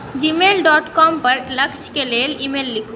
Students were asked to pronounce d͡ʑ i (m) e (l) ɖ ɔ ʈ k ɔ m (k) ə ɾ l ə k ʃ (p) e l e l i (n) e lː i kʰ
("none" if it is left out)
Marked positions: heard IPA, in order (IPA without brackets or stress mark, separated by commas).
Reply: m, l, p, k, m